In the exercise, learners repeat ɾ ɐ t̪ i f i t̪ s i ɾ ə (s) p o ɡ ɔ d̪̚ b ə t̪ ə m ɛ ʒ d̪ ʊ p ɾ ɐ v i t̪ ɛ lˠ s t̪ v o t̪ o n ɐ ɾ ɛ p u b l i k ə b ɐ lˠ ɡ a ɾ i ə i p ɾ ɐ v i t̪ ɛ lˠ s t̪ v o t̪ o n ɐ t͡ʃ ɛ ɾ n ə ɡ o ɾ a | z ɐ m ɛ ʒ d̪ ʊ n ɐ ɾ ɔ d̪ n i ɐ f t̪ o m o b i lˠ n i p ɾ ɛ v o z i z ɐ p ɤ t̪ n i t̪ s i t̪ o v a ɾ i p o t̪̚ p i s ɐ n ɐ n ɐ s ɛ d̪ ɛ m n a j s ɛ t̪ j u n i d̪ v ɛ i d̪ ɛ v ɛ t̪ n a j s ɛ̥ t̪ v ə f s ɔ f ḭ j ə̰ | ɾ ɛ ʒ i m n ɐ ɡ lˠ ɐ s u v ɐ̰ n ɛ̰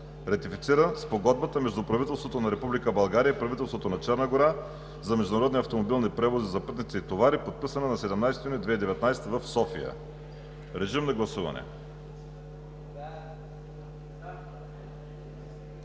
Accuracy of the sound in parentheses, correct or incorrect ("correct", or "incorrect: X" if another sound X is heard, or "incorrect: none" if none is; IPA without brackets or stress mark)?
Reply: correct